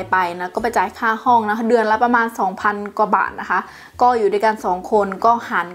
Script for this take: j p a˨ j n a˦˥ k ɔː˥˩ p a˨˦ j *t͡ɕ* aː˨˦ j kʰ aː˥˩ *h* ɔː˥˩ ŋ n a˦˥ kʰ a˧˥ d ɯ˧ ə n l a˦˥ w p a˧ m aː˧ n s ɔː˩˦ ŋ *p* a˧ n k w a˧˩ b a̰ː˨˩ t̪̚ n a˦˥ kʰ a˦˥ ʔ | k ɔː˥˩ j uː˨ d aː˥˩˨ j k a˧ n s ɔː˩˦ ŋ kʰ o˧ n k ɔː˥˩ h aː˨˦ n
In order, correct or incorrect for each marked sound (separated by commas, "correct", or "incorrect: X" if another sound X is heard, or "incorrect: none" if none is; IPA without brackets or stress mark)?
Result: correct, correct, incorrect: pʰ